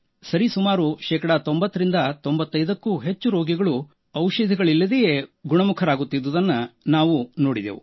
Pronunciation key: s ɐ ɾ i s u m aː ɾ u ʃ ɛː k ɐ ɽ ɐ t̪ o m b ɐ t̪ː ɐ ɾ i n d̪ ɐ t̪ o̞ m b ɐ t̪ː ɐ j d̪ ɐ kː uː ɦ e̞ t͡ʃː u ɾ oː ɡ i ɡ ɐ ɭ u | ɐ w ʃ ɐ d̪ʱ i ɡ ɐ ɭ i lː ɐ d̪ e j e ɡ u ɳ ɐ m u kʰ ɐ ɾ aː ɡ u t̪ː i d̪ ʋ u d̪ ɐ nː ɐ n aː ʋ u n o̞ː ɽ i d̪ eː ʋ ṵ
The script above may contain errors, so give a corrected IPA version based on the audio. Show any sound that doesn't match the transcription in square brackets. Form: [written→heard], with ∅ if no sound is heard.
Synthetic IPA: s ɐ ɾ i s u m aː ɾ u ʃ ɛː k ɐ ɽ ɐ t̪ o m b ɐ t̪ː ɐ ɾ i n d̪ ɐ t̪ o̞ m b ɐ t̪ː ɐ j d̪ ɐ kː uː ɦ e̞ t͡ʃː u ɾ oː ɡ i ɡ ɐ ɭ u | ɐ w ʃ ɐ d̪ʱ i ɡ ɐ ɭ i lː ɐ d̪ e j e ɡ u ɳ ɐ m u kʰ ɐ ɾ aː ɡ u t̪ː i d̪ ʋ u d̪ ɐ nː ɐ n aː ʋ u n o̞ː ɽ i d̪ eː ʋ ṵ